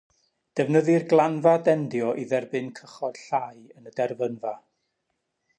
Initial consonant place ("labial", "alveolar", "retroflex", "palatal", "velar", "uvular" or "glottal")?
alveolar